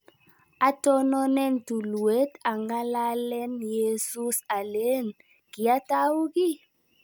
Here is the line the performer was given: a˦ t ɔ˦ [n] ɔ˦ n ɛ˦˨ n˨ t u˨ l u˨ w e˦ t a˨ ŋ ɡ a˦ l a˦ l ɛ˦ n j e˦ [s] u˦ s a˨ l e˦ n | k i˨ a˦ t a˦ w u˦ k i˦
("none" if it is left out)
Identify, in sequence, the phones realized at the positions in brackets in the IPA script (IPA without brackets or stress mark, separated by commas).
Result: n, s